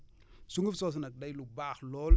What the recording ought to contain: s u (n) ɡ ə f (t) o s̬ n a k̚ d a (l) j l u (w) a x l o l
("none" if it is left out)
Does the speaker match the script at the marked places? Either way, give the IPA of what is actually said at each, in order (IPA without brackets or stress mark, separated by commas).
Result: ŋ, s, none, b